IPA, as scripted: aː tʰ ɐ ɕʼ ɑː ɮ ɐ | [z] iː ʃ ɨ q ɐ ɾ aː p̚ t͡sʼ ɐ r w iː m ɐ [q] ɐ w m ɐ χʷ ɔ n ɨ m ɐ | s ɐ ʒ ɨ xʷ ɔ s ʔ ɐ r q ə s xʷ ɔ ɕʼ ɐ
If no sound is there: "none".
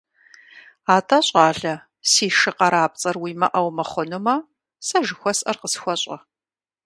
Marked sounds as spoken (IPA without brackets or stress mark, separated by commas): s, ʔ